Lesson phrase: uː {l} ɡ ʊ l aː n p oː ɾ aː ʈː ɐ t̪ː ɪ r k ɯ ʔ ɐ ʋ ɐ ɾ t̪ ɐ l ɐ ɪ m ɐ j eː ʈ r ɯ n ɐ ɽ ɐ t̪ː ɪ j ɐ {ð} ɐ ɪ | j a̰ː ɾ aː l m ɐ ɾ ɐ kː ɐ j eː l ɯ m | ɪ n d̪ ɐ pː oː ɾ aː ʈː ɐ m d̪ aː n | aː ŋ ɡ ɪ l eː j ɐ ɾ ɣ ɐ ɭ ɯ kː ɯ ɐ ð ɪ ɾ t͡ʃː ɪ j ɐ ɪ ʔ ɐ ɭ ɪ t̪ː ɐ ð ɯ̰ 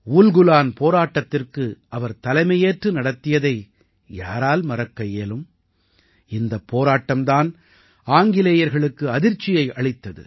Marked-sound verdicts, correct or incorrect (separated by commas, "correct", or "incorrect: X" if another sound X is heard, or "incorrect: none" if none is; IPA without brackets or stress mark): correct, correct